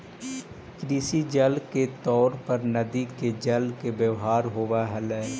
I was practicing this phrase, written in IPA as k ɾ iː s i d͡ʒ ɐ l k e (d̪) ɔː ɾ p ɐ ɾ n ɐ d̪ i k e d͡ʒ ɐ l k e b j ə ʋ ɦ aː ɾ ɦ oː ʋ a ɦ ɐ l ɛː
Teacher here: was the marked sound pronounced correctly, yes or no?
no